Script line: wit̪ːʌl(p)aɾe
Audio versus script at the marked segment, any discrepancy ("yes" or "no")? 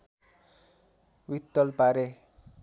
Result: no